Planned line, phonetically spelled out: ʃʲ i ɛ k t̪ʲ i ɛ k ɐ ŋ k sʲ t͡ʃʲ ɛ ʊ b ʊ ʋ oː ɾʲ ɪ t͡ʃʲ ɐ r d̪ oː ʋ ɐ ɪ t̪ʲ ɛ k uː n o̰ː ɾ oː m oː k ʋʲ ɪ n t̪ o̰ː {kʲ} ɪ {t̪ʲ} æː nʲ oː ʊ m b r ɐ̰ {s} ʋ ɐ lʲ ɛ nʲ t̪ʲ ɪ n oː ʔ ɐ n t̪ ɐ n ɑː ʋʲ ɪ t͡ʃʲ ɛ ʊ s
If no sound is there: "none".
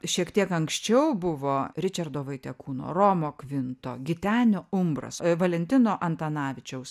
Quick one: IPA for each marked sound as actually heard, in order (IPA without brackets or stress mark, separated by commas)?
ɡʲ, t̪ʲ, s